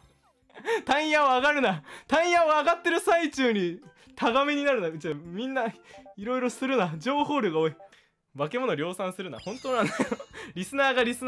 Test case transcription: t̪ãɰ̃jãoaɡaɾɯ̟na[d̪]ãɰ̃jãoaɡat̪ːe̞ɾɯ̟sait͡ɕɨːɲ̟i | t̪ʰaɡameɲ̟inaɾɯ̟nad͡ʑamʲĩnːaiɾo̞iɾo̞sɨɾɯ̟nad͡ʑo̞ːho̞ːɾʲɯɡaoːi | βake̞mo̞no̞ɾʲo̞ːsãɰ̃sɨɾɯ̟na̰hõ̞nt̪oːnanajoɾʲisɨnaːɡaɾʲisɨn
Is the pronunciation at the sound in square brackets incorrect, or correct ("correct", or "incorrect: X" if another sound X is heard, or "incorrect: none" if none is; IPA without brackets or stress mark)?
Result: incorrect: t̪